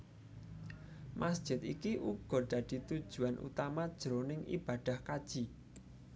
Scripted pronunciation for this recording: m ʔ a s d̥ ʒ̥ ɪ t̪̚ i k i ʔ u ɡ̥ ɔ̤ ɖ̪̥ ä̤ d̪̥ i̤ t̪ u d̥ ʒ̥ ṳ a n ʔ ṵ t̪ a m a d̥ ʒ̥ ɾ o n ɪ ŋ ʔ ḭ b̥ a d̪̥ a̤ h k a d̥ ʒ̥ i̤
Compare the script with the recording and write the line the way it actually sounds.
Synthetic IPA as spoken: m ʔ a s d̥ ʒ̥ ɪ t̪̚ i k i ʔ u ɡ̥ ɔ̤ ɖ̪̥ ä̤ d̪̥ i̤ t̪ u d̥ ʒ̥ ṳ a n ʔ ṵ t̪ a m a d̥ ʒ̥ ɾ o n ɪ ŋ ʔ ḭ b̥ a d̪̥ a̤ h k a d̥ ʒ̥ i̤